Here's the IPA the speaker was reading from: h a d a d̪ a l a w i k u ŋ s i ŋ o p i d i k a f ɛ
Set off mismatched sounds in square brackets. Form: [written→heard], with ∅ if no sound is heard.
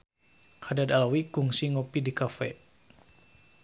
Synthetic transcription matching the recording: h a d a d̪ a l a w i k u ŋ s i ŋ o p i d i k a f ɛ